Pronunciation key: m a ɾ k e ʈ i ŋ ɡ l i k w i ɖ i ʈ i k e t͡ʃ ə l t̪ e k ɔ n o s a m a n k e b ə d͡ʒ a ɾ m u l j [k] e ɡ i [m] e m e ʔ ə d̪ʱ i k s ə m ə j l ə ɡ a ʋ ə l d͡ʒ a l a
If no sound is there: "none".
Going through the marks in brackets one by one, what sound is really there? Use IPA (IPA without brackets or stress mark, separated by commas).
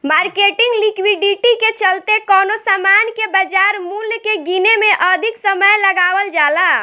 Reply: k, n